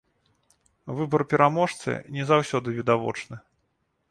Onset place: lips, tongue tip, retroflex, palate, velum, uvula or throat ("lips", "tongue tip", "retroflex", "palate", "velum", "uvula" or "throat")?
lips